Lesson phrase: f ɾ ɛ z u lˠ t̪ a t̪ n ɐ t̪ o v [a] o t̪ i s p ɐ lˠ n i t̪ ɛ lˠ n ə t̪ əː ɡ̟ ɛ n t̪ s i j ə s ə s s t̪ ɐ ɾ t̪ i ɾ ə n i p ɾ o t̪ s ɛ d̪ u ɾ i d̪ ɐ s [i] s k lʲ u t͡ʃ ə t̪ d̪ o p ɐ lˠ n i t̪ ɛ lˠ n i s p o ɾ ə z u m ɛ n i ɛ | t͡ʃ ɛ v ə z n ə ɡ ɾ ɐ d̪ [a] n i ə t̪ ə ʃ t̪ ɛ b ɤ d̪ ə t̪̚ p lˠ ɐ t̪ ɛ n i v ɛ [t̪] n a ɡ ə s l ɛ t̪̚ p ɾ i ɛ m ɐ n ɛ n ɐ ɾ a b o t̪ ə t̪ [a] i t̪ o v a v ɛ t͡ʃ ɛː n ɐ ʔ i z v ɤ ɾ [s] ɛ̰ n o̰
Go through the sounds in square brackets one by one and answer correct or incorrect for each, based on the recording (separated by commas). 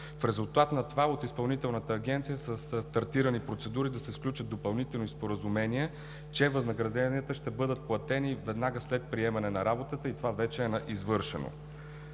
correct, incorrect, incorrect, incorrect, incorrect, incorrect